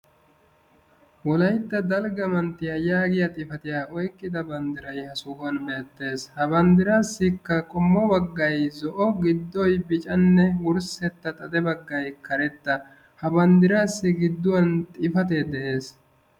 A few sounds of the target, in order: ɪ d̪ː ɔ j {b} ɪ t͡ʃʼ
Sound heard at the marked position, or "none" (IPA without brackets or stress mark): b